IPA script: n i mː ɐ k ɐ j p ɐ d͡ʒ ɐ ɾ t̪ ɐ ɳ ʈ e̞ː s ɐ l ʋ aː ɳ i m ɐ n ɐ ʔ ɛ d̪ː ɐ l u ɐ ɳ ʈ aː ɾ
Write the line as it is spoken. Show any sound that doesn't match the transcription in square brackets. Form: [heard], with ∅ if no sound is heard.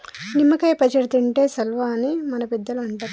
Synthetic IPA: n i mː ɐ k ɐ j p ɐ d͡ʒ ɐ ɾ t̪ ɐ ɳ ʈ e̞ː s ɐ l ʋ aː [n] i m ɐ n ɐ [p] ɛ d̪ː ɐ l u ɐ ɳ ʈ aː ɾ